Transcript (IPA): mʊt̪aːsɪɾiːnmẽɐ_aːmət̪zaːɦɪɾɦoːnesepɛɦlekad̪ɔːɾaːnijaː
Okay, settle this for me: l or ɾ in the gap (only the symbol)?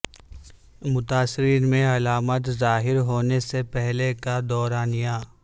l